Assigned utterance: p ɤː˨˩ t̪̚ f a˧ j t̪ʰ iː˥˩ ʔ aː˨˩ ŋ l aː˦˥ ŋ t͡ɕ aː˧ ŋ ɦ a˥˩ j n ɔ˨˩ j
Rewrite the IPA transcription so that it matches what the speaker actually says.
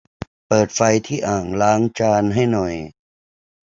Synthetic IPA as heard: p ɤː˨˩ t̪̚ f a˧ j t̪ʰ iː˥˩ ʔ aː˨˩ ŋ l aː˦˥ ŋ t͡ɕ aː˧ n ɦ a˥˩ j n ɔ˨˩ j